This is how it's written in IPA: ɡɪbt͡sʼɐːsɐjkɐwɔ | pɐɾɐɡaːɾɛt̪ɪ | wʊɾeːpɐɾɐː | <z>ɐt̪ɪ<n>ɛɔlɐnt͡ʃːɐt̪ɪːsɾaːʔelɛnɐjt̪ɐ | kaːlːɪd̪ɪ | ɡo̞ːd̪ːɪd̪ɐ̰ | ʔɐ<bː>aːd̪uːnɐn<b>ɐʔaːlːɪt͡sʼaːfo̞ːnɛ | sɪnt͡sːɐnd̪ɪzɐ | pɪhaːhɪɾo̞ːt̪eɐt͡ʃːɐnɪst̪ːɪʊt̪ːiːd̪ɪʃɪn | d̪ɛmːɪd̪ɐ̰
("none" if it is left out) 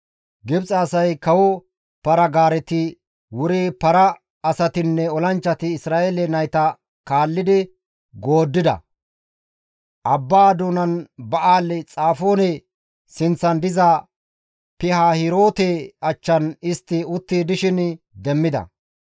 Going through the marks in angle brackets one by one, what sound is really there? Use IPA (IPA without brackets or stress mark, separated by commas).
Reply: s, nː, bː, b